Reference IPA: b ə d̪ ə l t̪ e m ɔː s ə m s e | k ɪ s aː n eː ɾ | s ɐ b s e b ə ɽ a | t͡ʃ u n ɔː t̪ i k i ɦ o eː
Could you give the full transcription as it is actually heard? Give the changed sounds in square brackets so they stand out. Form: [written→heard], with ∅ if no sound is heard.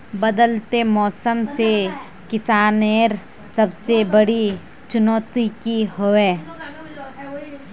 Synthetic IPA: b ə d̪ ə l t̪ e m ɔː s ə m s e | k ɪ s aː n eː ɾ | s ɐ b s e b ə ɽ [a→i] | t͡ʃ [u→ʊ] n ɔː t̪ i k i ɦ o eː